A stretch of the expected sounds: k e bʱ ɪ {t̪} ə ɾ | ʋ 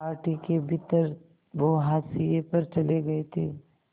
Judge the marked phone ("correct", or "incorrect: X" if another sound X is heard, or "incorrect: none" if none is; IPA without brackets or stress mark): correct